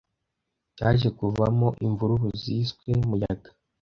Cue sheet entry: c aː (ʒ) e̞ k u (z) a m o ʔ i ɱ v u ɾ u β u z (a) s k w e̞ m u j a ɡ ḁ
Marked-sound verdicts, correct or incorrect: correct, incorrect: v, incorrect: i

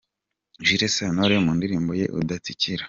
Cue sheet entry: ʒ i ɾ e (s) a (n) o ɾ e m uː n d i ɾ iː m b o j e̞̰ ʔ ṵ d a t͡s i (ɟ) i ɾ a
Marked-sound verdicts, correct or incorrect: correct, correct, incorrect: c

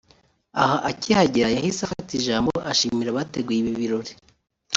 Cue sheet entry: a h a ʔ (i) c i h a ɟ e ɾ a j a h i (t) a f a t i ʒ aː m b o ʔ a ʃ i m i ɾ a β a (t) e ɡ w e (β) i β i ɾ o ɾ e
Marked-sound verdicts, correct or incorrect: incorrect: a, incorrect: s, correct, correct

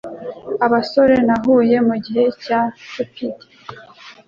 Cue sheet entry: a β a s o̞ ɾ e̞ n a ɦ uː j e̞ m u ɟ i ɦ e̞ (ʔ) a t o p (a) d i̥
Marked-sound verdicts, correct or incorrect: incorrect: c, incorrect: i

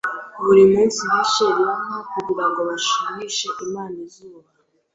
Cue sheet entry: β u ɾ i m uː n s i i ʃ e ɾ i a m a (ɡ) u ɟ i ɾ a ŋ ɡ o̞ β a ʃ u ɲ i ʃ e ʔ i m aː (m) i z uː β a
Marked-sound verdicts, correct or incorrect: incorrect: k, incorrect: n

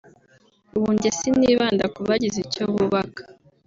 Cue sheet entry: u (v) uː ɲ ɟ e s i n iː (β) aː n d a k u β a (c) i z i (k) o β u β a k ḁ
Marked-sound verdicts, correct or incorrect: incorrect: β, correct, incorrect: ɟ, incorrect: c

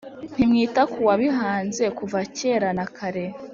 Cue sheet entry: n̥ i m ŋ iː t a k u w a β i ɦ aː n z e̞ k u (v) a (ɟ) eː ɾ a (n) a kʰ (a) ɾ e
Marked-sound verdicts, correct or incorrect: correct, incorrect: c, correct, correct

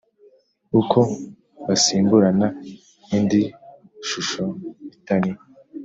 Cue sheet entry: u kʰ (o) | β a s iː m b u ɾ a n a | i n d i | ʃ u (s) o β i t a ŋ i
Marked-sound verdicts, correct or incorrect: correct, incorrect: ʃ

